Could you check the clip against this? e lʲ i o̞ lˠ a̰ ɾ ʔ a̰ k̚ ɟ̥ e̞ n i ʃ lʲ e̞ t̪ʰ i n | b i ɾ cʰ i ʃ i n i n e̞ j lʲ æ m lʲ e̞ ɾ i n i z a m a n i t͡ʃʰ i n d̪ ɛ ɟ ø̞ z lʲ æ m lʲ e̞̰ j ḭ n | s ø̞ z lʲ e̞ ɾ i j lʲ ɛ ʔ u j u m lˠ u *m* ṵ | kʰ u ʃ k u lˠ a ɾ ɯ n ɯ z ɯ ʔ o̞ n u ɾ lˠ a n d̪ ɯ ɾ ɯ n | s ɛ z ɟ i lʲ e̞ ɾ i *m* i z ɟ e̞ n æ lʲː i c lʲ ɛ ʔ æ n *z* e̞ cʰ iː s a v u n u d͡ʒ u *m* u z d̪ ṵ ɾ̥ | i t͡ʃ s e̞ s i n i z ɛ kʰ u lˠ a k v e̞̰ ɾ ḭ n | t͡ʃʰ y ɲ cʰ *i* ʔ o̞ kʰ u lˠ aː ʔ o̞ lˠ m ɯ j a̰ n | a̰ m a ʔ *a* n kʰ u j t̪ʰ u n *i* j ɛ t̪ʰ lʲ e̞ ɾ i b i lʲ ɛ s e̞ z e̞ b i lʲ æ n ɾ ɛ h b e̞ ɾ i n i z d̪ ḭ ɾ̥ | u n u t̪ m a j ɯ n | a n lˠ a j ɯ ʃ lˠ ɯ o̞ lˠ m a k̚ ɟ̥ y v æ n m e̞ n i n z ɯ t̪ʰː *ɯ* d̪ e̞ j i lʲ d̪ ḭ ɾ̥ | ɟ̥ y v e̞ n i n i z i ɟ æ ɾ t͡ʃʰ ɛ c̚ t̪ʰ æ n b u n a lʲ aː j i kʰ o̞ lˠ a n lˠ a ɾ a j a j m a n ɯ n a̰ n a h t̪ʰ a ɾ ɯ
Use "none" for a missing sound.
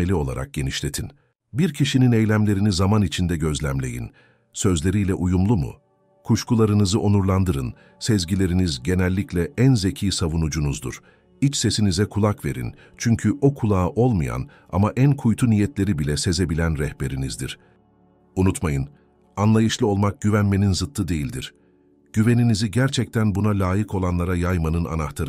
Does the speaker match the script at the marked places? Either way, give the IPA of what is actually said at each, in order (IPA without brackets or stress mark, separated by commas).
m, n, z, n, y, æ, i, ɯ